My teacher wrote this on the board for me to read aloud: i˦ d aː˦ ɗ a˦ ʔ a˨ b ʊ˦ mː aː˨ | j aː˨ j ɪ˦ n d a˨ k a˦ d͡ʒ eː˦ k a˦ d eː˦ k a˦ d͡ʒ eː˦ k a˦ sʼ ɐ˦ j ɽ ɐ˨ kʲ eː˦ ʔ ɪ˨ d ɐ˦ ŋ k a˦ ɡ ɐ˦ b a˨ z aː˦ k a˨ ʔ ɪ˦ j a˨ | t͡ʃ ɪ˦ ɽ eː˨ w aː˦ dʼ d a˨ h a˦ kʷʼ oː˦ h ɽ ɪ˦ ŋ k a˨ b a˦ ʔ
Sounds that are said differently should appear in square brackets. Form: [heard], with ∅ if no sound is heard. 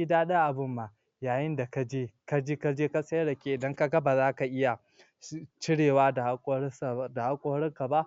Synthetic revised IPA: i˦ d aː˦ ɗ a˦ ʔ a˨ b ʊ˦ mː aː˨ | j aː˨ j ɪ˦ n d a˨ k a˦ d͡ʒ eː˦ k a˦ [d͡ʒ] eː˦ k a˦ d͡ʒ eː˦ k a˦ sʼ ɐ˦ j ɽ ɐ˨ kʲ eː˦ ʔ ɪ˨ d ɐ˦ ŋ k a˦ ɡ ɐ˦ b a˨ z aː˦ k a˨ ʔ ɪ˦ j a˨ | t͡ʃ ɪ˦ ɽ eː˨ w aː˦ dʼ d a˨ h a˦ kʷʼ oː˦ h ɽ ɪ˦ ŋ k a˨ b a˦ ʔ

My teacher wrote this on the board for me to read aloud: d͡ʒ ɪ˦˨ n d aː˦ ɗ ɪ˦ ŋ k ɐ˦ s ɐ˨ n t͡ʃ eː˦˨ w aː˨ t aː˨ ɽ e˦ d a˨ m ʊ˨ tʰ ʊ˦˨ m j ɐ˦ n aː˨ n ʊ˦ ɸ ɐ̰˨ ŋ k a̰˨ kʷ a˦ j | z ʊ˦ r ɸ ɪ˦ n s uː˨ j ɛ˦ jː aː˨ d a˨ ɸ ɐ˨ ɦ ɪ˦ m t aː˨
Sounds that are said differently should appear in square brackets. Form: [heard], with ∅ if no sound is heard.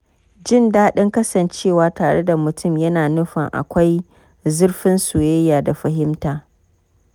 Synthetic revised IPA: d͡ʒ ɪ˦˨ n d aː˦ ɗ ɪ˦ ŋ k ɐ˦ s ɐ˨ n t͡ʃ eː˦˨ w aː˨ t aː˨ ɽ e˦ d a˨ m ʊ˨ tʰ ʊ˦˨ m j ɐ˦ n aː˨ n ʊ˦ ɸ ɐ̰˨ ŋ [ʔ] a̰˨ kʷ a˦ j | z ʊ˦ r ɸ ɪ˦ n s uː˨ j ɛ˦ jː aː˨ d a˨ ɸ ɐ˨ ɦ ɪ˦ m t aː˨

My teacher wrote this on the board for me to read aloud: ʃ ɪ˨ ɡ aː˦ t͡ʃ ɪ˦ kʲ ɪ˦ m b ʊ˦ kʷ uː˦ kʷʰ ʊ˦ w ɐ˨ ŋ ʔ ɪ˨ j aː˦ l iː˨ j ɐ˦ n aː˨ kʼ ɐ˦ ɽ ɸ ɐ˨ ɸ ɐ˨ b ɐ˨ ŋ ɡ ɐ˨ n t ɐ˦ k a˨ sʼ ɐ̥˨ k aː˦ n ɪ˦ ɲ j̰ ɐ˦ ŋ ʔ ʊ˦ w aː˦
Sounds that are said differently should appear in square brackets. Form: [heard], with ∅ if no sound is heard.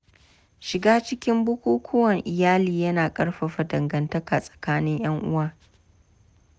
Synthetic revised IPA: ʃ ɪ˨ ɡ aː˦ t͡ʃ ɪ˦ kʲ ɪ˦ m b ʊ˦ kʷ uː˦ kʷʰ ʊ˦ w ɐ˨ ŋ ʔ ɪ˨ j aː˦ l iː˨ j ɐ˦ n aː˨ kʼ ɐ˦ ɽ ɸ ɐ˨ ɸ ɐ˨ [d] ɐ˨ ŋ ɡ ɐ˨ n t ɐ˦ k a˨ sʼ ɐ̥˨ k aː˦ n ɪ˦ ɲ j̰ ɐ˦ ŋ ʔ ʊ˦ w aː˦

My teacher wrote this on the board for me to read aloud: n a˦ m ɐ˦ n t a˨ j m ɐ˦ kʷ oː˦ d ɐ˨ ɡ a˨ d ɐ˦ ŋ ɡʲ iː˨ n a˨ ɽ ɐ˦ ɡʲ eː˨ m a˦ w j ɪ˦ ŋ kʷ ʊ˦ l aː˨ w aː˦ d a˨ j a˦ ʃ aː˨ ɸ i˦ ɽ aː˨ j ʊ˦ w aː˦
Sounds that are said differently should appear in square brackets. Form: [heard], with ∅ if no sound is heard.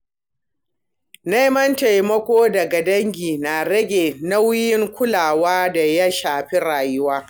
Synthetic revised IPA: n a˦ m ɐ˦ n t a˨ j m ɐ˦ kʷ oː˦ d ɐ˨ ɡ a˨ d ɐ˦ ŋ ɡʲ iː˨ n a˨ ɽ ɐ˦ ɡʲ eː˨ [n] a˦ w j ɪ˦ ŋ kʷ ʊ˦ l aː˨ w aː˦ d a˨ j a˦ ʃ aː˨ ɸ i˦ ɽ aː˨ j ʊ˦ w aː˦

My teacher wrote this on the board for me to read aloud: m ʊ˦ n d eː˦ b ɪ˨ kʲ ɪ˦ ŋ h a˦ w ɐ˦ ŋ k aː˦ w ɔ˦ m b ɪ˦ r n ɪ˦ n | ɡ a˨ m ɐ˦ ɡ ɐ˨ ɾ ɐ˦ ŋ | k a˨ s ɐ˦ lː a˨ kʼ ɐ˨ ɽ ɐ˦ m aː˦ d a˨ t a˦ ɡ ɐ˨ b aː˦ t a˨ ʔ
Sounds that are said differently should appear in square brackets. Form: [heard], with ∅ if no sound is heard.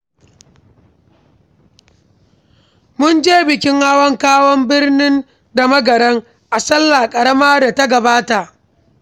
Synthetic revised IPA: m ʊ˦ n [d͡ʒ] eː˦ b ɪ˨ kʲ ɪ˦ ŋ h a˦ w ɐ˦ ŋ k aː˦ w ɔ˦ m b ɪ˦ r n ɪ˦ n | [d] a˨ m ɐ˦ ɡ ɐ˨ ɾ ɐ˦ ŋ | [ʔ] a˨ s ɐ˦ lː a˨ kʼ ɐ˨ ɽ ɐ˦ m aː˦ d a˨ t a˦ ɡ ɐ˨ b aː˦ t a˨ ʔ

